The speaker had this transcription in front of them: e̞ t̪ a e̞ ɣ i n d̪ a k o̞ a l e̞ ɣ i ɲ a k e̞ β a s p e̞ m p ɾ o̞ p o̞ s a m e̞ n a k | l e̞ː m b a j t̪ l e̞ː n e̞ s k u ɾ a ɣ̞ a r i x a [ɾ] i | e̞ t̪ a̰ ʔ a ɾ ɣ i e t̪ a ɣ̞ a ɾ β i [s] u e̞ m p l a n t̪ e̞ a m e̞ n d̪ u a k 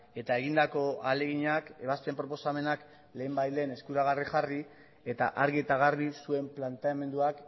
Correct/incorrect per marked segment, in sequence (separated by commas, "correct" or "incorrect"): incorrect, correct